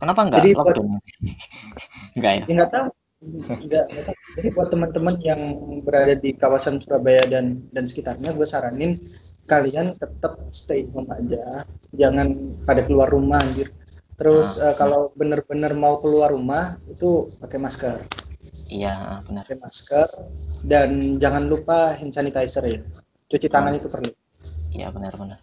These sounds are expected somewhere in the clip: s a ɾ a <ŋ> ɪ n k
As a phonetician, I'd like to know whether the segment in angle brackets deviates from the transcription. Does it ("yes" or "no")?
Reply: yes